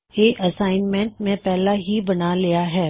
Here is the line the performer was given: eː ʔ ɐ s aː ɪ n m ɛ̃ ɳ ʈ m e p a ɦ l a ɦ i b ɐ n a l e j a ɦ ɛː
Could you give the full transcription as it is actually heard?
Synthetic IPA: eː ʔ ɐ s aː ɪ n m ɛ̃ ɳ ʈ m ẽ p ɛ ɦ l a ɦ i b ɐ n a l i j a ɦ ɛː

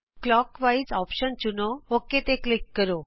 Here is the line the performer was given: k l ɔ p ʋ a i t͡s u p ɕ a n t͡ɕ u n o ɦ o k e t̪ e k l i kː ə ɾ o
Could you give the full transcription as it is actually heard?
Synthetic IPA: k l ɔ k ʋ a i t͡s ɔ p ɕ ə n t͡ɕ u n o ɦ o k e t̪ e k l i kː ə ɾ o

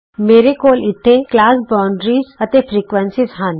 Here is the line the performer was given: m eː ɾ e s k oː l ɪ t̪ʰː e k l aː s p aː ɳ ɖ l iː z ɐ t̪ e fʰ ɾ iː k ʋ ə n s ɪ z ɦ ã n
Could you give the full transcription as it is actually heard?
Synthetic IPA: m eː ɾ e k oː l ɪ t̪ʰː e k l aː s b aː ɳ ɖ ɾ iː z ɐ t̪ e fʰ ɾ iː k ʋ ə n s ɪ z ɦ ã n

